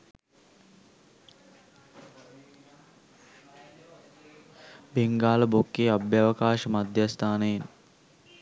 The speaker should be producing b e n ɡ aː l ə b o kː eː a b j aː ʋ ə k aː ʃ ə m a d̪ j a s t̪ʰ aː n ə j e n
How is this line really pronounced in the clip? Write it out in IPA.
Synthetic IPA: b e ŋ ɡ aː l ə b o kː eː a b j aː ʋ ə k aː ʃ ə m a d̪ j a s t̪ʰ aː n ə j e n